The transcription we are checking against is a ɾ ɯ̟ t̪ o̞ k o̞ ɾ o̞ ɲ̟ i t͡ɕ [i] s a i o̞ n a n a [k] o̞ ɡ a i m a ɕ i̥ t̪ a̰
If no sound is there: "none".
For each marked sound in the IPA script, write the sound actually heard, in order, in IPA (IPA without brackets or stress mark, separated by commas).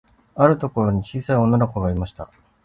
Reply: iː, k